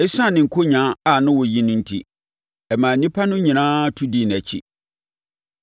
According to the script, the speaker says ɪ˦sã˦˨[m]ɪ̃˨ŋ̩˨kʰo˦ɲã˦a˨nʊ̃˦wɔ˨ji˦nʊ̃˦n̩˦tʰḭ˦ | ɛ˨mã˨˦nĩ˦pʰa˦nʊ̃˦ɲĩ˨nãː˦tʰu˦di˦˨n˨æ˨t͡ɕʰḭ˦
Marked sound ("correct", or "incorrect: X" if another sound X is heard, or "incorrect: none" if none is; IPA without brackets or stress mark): incorrect: n